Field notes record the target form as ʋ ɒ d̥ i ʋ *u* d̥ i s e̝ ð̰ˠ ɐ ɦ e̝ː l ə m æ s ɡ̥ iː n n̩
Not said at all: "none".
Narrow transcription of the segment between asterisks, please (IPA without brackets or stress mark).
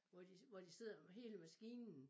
ɒ